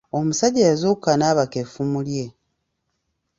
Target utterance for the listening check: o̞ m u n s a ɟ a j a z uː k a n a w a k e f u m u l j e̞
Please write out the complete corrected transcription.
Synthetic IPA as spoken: o̞ m u s a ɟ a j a z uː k a n a β a k e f u m u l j e̞